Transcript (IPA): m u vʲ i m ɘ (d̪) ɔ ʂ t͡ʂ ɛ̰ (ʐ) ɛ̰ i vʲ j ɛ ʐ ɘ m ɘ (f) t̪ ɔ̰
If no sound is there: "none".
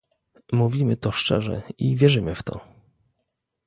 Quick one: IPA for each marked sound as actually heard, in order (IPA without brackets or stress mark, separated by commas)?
t̪, ʐ, f